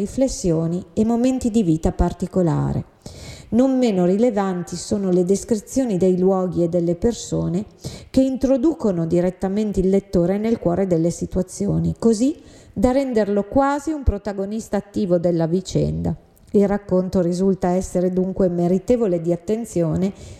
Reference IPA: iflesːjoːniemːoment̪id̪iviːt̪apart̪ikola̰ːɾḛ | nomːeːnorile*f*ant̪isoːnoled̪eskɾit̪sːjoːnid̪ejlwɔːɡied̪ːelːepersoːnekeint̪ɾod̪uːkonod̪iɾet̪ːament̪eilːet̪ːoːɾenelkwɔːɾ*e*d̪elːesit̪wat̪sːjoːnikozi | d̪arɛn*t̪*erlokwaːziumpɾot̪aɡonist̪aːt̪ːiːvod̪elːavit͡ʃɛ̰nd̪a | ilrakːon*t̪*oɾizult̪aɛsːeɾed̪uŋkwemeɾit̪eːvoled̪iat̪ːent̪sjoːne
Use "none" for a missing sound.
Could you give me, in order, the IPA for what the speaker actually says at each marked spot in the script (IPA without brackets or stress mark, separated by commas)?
v, e, d̪, t̪